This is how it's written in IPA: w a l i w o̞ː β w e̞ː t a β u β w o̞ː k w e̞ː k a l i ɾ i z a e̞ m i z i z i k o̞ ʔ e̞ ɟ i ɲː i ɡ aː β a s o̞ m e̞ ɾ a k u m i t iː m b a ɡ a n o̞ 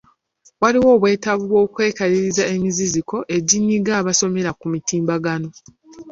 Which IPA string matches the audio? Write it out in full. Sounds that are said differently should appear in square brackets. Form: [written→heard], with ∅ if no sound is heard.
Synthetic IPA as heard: w a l i w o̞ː β w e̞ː t a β u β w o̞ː k w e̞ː k a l i ɾ i z a e̞ m i z i z i k o̞ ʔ e̞ ɟ i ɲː i ɡ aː β a s o̞ m e̞ ɾ a k u m i t iː m b a ɡ a n o̞